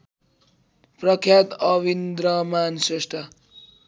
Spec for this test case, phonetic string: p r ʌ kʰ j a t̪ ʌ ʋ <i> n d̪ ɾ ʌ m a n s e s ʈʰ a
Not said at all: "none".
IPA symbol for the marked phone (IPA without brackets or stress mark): i